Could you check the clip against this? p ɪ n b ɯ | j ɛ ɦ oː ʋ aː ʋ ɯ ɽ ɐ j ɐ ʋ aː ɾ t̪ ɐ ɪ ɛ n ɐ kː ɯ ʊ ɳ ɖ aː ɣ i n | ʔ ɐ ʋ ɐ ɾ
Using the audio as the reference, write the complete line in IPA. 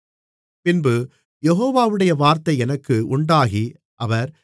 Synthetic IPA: p ɪ n b ɯ | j ɛ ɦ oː ʋ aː ʋ ɯ ɽ ɐ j ɐ ʋ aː ɾ t̪ ɐ ɪ ɛ n ɐ kː ɯ ʊ ɳ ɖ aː ɣ i | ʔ ɐ ʋ ɐ ɾ